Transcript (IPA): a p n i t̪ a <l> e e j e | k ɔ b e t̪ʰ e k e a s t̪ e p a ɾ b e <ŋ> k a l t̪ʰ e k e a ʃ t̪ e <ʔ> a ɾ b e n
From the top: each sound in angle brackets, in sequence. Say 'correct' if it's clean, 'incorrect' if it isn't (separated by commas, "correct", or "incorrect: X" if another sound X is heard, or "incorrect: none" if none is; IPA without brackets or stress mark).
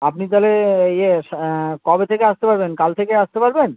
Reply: correct, incorrect: n, incorrect: p